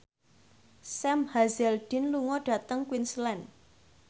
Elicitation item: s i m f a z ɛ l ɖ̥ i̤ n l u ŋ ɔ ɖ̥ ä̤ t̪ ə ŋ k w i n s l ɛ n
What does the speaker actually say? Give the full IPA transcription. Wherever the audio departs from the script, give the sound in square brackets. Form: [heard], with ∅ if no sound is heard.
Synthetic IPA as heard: s [ɛ] m [h] a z ɛ l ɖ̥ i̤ n l u ŋ ɔ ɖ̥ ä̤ t̪ ə ŋ k w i n s l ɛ n